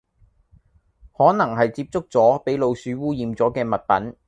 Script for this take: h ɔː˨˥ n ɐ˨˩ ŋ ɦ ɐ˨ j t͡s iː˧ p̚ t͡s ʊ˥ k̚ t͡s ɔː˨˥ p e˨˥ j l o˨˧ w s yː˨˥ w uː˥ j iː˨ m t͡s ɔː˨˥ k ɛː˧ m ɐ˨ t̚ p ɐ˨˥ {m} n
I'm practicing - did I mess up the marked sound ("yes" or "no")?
yes